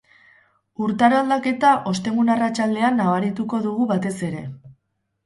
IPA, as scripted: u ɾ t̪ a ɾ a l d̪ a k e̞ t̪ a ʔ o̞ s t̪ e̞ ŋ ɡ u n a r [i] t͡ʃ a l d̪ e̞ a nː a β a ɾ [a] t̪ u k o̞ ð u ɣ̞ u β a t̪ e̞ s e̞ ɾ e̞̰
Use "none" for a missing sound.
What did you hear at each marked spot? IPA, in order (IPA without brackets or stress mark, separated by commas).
a, i